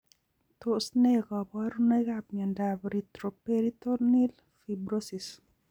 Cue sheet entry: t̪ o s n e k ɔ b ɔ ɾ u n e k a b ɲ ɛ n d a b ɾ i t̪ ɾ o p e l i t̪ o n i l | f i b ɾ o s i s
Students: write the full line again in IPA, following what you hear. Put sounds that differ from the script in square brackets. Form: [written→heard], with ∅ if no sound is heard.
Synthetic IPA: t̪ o s n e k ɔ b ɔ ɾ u n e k a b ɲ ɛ n d a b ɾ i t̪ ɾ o p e [l→ɾ] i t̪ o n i l | f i b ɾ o s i s

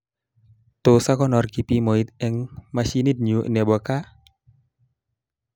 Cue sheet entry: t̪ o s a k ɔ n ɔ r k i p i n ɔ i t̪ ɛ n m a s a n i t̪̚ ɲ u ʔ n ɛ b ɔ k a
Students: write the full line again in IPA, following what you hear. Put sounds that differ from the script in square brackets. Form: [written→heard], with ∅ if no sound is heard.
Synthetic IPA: t̪ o s a k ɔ n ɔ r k i p i [n→m] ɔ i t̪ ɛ [n→ŋ] m a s [a→i] n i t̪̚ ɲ u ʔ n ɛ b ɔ k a

